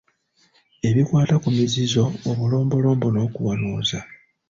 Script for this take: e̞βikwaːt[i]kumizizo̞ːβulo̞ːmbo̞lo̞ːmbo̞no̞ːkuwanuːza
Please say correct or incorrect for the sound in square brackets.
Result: incorrect